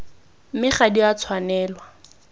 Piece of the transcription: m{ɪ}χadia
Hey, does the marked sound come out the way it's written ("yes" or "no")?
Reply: yes